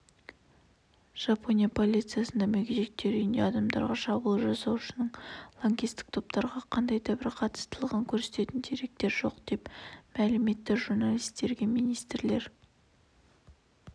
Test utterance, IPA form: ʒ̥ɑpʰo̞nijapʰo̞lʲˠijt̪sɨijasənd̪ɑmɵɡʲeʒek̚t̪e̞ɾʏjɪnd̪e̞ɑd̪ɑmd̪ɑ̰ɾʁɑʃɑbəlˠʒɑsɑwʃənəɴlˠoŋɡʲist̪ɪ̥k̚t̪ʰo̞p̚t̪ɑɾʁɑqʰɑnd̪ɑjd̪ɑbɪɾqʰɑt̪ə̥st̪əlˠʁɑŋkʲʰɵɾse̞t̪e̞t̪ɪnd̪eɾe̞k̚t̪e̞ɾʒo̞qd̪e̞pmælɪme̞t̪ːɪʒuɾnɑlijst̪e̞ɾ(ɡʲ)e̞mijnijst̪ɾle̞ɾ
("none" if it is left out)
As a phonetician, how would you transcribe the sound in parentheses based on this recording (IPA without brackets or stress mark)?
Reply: ɡʲ